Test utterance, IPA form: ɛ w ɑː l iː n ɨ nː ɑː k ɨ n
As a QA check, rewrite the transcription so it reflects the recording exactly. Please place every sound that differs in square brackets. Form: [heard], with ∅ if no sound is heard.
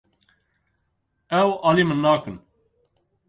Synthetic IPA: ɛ w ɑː l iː [m] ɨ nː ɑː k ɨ n